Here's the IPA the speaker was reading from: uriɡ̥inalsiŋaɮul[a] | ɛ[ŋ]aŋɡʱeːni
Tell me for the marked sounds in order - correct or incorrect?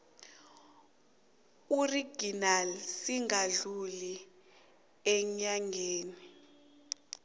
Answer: incorrect: i, incorrect: ɲ

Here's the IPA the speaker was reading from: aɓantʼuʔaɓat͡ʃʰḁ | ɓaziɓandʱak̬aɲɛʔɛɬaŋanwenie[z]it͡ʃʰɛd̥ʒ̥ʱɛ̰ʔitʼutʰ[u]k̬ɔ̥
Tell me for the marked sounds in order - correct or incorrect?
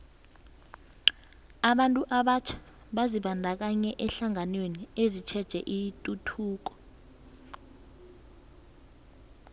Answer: correct, incorrect: uː

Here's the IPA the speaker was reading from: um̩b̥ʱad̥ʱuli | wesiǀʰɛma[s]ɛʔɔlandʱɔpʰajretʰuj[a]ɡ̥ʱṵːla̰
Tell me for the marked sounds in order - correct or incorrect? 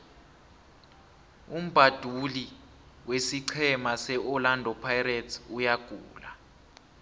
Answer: correct, correct

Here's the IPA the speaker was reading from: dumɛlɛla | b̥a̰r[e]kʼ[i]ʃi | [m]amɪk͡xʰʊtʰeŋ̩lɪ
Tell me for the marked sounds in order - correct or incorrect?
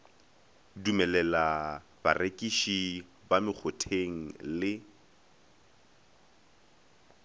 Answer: correct, correct, incorrect: b

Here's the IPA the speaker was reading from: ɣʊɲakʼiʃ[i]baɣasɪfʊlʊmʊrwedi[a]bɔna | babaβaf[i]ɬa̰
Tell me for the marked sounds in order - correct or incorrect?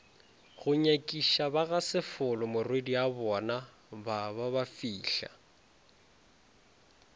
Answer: incorrect: a, correct, incorrect: iː

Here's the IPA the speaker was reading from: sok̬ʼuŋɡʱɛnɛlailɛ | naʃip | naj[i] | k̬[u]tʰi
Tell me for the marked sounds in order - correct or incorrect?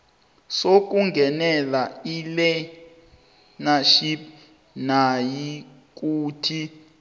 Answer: correct, incorrect: uː

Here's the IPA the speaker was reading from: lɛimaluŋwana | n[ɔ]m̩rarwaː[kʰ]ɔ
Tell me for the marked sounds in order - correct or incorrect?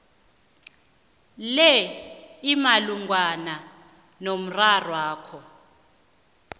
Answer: incorrect: o, correct

